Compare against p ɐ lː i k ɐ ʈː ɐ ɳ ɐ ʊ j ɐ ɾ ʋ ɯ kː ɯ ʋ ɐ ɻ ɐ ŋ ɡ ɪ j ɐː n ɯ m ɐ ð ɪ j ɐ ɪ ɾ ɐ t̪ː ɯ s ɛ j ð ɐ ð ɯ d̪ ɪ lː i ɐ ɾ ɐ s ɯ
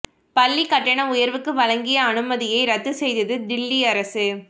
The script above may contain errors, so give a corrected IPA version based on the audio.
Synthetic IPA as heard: p ɐ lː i k ɐ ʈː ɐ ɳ ɐ ʊ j ɐ ɾ ʋ ɯ kː ɯ ʋ ɐ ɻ ɐ ŋ ɡ ɪ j ɐː n ɯ m ɐ ð ɪ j ɐ ɪ ɾ ɐ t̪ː ɯ s ɛ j ð ɐ ð ɯ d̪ ɪ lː i ɐ ɾ ɐ s ɯ